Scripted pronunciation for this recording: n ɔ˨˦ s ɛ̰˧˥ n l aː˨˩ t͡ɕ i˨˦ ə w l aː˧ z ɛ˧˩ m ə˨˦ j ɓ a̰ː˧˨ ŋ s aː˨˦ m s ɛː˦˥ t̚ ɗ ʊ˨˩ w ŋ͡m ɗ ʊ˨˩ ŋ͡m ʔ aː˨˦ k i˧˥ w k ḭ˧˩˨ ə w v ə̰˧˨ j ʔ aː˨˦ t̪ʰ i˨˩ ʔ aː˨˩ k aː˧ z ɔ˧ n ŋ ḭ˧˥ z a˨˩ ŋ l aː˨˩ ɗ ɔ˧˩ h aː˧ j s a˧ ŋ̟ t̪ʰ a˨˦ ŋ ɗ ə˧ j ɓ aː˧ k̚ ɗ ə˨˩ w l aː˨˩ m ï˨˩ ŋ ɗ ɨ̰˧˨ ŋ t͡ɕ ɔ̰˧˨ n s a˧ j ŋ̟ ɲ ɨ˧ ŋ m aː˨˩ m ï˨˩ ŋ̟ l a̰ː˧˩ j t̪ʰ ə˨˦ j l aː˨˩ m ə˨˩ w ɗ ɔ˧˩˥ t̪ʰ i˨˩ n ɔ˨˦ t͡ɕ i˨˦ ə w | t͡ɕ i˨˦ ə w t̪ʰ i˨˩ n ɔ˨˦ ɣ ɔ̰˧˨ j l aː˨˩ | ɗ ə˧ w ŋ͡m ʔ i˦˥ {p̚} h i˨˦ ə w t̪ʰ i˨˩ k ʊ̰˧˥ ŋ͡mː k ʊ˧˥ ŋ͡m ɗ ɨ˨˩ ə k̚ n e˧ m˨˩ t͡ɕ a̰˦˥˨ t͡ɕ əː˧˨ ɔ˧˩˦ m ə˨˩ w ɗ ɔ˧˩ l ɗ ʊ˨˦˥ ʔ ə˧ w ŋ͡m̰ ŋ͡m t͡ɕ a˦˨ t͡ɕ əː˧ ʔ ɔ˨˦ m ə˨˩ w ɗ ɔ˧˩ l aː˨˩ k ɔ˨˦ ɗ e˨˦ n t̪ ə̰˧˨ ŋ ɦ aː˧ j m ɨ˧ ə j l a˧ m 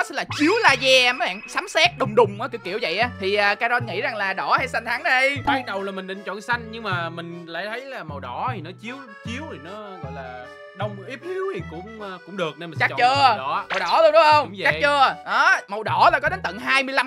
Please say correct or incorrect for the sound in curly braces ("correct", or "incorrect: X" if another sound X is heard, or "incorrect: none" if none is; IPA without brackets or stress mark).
correct